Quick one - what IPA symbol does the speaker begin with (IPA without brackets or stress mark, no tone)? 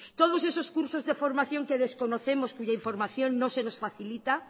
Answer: t̪